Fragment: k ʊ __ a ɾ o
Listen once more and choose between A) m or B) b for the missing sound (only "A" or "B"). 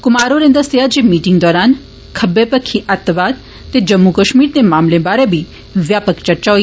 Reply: A